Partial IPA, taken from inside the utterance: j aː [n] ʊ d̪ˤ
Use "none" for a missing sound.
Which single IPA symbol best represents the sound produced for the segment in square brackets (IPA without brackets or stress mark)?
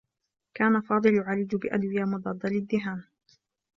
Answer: m